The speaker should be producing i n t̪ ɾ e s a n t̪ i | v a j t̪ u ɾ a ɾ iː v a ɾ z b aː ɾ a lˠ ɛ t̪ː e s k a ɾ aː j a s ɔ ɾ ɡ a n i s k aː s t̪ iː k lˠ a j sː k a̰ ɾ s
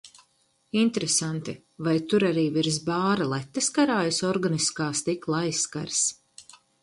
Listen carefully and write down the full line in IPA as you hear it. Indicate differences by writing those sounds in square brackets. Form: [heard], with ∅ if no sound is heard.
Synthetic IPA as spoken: i n t̪ ɾ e s a n t̪ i | v a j t̪ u ɾ a ɾ iː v [i] ɾ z b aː ɾ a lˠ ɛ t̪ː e s k a ɾ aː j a s ɔ ɾ ɡ a n i s k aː s t̪ [i] k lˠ a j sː k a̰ ɾ s